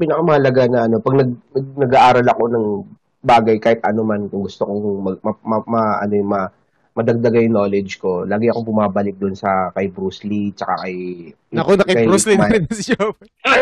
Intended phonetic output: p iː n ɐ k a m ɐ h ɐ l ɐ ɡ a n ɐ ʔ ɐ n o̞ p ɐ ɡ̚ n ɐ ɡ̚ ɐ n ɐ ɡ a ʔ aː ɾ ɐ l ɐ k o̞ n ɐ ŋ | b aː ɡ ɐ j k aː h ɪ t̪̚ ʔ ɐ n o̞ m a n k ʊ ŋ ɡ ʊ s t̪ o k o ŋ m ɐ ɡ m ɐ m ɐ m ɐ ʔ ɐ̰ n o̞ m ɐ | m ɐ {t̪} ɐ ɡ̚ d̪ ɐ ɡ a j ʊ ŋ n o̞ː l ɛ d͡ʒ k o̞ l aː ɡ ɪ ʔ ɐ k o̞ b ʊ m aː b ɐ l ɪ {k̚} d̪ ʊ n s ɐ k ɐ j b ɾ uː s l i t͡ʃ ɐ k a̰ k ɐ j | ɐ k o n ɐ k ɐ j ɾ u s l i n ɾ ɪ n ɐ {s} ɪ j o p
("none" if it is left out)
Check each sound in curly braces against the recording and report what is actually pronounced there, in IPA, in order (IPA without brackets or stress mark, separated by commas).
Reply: d̪, k̚, s